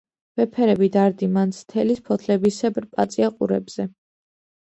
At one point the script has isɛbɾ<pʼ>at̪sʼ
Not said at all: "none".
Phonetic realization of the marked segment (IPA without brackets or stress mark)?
pʼ